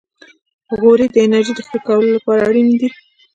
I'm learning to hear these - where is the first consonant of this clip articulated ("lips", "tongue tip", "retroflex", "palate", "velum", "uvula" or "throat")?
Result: velum